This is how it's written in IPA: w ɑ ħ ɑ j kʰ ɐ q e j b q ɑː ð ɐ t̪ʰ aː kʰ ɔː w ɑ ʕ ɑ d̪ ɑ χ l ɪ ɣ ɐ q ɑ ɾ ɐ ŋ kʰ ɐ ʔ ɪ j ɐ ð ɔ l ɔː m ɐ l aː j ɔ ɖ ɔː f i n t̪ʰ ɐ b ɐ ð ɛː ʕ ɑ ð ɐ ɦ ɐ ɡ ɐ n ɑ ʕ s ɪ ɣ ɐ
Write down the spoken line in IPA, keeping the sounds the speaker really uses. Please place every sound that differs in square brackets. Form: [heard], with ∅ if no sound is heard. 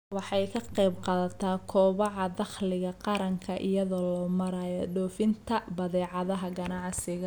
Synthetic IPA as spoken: w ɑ ħ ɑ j kʰ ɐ q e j b q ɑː ð ɐ t̪ʰ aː kʰ ɔː [β] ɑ ʕ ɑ d̪ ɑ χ l ɪ ɣ ɐ q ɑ ɾ ɐ ŋ kʰ ɐ ʔ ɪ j ɐ ð ɔ l ɔː m ɐ [ɾ] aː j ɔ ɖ ɔː f [ɪ] n t̪ʰ ɐ b ɐ ð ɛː ʕ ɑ ð ɐ ɦ ɐ ɡ ɐ n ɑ ʕ s ɪ ɣ ɐ